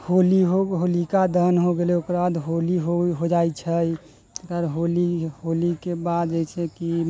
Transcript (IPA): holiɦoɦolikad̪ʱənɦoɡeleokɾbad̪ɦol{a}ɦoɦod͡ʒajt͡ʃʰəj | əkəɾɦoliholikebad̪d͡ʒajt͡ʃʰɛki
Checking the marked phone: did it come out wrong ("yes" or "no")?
yes